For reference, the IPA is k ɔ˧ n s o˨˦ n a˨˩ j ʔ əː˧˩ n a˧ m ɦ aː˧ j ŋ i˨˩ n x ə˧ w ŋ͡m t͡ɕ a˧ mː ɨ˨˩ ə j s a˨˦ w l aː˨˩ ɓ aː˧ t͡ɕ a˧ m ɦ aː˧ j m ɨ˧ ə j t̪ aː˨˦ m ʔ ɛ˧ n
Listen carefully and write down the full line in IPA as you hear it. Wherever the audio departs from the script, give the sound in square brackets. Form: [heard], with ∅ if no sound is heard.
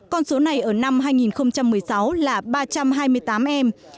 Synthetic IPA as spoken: k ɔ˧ n s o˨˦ n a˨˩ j ʔ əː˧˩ n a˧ m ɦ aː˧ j ŋ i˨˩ n x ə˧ w ŋ͡m t͡ɕ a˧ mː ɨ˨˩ ə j s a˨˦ w l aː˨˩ ɓ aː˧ t͡ɕ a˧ m ɦ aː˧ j m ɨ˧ ə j t̪ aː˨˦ m ʔ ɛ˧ [m]